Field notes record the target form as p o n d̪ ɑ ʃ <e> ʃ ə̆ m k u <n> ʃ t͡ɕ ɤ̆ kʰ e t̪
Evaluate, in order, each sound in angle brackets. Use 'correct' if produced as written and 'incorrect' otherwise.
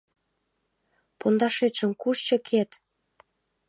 correct, incorrect: none

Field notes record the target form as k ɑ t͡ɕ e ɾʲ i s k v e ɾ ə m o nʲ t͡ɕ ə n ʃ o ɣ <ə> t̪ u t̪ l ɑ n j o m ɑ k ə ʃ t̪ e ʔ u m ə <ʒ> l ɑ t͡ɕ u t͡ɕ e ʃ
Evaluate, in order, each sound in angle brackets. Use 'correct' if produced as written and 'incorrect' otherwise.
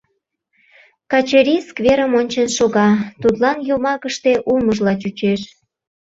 incorrect: ɑ, correct

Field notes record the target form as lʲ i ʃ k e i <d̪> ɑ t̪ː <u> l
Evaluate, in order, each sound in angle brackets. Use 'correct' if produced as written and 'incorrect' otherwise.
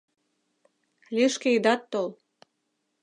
correct, incorrect: o

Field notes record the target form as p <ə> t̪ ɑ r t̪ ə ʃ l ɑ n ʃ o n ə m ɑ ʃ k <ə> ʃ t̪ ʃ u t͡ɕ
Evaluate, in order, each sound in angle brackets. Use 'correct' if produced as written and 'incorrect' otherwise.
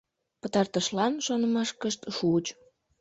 correct, correct

